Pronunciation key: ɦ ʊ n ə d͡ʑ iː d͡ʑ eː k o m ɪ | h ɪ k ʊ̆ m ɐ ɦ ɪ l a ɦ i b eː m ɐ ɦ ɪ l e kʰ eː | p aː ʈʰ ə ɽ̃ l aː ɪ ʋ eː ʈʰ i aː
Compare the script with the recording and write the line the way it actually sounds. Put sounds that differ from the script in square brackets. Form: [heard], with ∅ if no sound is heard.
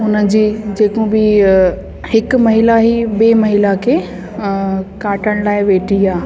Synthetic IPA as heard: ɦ ʊ n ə d͡ʑ iː d͡ʑ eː k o [b] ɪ | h ɪ k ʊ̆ m ɐ ɦ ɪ l a ɦ i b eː m ɐ ɦ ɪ l [a] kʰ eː | [k] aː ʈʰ ə ɽ̃ l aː ɪ ʋ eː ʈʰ i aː

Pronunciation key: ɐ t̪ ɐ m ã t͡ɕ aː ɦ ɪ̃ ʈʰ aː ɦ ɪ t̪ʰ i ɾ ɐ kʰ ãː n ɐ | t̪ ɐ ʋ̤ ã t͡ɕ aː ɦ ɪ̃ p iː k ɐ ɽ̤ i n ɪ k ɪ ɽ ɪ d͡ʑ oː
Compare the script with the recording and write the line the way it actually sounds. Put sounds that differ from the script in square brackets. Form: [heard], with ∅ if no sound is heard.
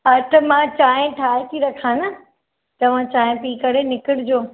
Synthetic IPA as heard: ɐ t̪ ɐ m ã t͡ɕ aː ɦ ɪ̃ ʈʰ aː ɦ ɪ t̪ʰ i ɾ ɐ kʰ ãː n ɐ | t̪ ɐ ʋ̤ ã t͡ɕ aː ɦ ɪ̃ p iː k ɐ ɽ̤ [e] n ɪ k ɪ ɽ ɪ d͡ʑ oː

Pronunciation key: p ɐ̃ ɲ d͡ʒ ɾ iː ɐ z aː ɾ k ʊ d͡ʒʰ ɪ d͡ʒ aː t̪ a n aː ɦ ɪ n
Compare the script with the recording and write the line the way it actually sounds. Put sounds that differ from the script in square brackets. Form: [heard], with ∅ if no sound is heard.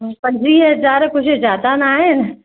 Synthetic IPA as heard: p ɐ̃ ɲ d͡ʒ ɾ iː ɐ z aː ɾ k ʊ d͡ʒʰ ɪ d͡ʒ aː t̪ a n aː ɦ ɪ n

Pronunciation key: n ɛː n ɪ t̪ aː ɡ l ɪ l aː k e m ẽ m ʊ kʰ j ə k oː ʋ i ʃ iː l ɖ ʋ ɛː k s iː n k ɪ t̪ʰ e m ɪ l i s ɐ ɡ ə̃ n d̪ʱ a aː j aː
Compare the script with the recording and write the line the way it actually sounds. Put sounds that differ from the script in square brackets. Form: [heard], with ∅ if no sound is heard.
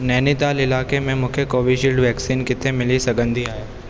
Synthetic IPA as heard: n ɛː n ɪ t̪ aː [∅] l ɪ l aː k e m ẽ m ʊ kʰ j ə k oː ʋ i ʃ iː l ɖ ʋ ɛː k s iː n k ɪ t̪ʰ e m ɪ l i s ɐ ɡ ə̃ n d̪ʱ [i] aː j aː

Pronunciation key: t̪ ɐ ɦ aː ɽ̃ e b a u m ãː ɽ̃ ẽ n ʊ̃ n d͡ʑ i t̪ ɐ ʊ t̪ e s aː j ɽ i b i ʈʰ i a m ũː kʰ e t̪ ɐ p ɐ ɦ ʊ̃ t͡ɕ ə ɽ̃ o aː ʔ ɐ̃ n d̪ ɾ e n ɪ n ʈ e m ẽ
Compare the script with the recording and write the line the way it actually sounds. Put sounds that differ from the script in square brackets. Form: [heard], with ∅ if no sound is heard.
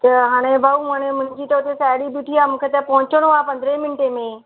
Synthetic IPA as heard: t̪ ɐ ɦ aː ɽ̃ e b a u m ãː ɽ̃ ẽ [m] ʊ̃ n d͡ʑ i t̪ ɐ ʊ t̪ e s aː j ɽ i b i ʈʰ i a m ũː kʰ e t̪ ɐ p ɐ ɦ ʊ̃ t͡ɕ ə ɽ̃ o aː [p] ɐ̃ n d̪ ɾ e [m] ɪ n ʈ e m ẽ

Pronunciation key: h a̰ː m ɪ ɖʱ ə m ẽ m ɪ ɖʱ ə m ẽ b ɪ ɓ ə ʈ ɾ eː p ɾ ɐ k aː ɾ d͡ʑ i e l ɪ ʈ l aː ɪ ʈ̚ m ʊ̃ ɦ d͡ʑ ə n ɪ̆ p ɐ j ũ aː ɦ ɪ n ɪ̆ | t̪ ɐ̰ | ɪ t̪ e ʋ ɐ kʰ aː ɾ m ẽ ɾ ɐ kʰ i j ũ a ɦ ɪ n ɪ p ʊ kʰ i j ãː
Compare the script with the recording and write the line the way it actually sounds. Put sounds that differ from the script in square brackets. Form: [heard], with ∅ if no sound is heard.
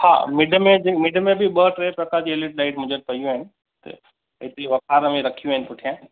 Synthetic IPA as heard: h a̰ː m ɪ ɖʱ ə m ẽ m ɪ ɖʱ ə m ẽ b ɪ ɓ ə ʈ ɾ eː p ɾ ɐ k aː ɾ d͡ʑ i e l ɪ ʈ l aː ɪ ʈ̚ m ʊ̃ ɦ d͡ʑ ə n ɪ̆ p ɐ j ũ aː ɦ ɪ n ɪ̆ | t̪ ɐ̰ | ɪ t̪ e ʋ ɐ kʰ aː ɾ m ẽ ɾ ɐ kʰ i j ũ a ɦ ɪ n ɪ p ʊ [ʈʰ] i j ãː

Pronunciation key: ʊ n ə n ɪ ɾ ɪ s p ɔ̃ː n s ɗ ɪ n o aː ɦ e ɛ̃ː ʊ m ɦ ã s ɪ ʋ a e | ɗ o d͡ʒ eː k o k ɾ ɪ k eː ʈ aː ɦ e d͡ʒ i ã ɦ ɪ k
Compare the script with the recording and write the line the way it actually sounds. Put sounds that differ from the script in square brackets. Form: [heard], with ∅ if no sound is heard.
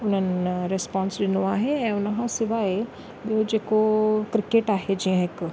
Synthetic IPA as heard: ʊ n ə n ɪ ɾ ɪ s p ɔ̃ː n s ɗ ɪ n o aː ɦ e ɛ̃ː ʊ [n] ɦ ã s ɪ ʋ a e | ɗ o d͡ʒ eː k o k ɾ ɪ k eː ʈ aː ɦ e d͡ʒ i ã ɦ ɪ k

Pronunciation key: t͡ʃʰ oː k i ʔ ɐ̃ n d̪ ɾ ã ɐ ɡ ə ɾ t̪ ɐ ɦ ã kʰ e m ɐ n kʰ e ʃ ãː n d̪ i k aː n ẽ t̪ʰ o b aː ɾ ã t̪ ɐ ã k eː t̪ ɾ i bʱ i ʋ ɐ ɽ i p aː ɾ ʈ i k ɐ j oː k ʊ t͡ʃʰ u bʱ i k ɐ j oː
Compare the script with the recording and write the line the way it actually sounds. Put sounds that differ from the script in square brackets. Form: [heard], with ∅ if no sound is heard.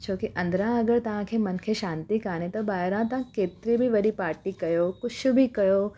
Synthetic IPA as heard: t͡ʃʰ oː k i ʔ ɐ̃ n d̪ ɾ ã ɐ ɡ ə ɾ t̪ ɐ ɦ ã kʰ e m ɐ n kʰ e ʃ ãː n [t̪] i k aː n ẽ [t̪] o b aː ɾ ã t̪ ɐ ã k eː t̪ ɾ i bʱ i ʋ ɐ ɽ i p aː ɾ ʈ i k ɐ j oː k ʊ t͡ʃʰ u bʱ i k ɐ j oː

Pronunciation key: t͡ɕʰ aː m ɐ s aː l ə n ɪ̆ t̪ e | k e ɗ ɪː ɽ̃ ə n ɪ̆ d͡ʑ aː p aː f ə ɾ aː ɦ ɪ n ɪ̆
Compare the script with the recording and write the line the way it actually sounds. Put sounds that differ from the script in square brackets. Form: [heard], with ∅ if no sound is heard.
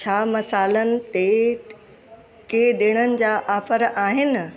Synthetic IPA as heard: t͡ɕʰ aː m ɐ s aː l ə n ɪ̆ t̪ e | k e ɗ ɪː ɽ̃ ə n ɪ̆ d͡ʑ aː [ʔ] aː f ə ɾ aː ɦ ɪ n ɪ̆

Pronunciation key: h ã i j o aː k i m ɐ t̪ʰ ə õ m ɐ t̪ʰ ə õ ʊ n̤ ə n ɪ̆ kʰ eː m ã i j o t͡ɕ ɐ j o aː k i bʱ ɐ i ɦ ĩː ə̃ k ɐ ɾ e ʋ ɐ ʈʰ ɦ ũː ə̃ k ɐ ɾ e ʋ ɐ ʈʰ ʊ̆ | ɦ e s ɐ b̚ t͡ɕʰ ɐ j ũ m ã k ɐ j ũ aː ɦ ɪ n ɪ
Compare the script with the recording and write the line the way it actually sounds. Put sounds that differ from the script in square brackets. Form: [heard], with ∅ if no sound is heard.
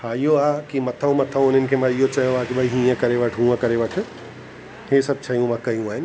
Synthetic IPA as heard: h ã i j o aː k i m ɐ t̪ʰ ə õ m ɐ t̪ʰ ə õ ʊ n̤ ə n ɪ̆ kʰ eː m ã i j o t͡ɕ ɐ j o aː k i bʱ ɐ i ɦ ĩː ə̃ k ɐ ɾ e ʋ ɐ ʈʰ ɦ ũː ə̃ k ɐ ɾ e ʋ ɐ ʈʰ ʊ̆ | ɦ e s ɐ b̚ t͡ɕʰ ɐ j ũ m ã k ɐ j ũ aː ɦ ɪ n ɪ

